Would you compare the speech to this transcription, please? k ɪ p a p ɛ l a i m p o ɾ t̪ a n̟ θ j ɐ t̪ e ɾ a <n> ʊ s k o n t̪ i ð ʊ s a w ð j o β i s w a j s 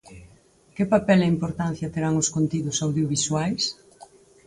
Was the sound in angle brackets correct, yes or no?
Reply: no